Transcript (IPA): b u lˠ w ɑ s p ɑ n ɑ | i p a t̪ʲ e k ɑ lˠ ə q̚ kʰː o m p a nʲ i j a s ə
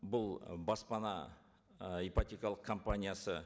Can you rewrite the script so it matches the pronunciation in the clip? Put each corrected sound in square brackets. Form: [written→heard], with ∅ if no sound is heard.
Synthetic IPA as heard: b [u→ʊ] lˠ [w→b] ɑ s p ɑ n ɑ | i p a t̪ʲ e k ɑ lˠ ə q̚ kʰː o m p a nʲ i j a s ə